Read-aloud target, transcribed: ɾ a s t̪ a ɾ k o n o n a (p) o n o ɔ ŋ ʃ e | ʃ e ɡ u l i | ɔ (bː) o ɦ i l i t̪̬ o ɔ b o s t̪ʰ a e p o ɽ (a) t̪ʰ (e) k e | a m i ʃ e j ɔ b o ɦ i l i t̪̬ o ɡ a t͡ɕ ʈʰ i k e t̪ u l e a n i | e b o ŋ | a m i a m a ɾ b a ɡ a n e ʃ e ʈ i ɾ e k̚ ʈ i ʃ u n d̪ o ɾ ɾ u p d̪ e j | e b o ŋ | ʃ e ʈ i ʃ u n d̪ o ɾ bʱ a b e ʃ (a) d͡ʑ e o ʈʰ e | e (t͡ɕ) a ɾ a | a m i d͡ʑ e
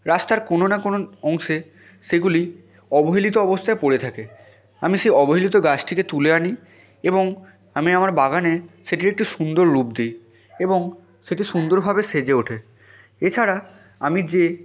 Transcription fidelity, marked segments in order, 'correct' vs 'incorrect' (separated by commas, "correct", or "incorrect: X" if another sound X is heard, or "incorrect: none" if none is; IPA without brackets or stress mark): incorrect: k, incorrect: b, incorrect: e, incorrect: a, incorrect: e, incorrect: t͡ɕʰ